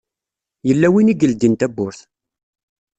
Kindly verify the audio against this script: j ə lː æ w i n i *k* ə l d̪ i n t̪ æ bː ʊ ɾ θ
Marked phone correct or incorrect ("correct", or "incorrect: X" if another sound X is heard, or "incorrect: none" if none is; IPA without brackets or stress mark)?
incorrect: ɡ